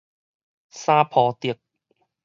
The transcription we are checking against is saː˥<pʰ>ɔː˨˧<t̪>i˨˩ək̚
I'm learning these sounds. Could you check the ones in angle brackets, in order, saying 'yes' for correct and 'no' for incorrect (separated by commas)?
yes, yes